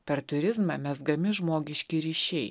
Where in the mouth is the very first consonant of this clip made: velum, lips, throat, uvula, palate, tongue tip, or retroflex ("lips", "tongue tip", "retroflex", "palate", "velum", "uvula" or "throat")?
lips